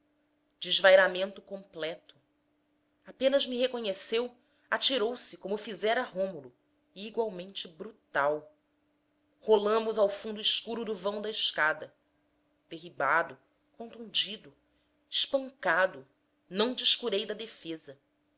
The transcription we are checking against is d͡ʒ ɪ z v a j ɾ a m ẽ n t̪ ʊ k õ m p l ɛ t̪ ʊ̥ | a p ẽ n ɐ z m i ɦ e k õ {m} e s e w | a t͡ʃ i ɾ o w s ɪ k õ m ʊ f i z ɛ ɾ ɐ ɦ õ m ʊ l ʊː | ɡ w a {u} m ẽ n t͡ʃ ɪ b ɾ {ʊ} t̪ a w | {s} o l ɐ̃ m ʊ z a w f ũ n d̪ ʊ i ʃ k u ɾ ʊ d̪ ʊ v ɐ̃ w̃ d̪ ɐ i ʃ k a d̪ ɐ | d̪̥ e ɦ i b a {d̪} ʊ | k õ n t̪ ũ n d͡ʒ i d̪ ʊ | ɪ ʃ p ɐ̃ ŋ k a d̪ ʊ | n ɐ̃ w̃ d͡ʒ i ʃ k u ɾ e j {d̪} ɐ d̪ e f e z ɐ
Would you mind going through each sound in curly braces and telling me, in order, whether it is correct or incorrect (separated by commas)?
incorrect, incorrect, incorrect, incorrect, correct, correct